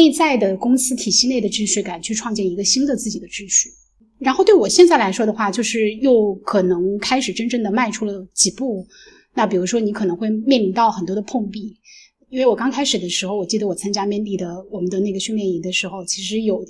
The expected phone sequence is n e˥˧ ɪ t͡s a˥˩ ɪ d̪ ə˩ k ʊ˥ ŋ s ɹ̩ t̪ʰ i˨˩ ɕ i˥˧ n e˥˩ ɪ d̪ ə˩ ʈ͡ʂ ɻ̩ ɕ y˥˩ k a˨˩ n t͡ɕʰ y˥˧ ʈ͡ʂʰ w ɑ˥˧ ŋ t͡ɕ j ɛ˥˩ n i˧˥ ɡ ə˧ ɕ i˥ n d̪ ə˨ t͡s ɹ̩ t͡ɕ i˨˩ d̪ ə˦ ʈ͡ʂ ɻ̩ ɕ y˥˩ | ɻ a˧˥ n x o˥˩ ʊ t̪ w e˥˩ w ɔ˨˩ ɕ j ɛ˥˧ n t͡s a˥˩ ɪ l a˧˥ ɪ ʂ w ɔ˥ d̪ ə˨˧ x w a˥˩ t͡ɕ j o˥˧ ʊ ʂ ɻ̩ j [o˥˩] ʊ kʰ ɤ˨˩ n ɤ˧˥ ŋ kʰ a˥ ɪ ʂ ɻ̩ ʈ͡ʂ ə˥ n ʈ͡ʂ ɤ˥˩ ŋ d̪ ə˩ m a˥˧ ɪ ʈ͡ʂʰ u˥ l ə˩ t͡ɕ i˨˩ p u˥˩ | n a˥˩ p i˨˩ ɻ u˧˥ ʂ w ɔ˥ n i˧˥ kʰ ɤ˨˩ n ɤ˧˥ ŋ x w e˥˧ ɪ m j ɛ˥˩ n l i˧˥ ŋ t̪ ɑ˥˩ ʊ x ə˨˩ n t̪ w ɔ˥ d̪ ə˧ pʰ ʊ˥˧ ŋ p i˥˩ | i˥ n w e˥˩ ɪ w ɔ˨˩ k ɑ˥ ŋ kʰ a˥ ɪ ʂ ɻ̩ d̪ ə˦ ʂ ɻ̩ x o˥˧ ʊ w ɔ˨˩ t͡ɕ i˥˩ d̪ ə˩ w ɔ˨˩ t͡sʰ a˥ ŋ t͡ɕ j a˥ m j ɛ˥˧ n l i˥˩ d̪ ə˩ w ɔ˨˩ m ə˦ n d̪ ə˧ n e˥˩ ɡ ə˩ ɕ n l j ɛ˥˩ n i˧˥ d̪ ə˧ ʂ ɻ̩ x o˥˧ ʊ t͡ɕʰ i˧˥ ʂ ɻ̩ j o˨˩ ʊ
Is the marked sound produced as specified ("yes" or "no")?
yes